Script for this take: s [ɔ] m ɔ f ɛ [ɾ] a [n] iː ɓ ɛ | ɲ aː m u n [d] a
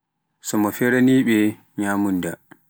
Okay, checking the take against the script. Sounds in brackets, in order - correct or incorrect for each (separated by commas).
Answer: correct, correct, correct, correct